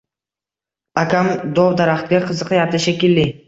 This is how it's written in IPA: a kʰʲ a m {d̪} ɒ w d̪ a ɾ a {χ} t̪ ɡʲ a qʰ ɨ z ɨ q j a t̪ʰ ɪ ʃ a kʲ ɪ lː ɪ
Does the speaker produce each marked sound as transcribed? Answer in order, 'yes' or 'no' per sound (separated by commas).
yes, yes